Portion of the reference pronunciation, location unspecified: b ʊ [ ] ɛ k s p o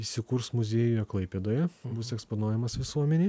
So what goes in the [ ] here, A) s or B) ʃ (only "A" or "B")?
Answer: A